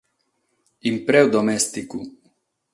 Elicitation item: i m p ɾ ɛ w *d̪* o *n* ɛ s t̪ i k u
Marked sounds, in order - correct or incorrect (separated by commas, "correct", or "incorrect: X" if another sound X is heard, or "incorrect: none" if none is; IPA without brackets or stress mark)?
correct, incorrect: m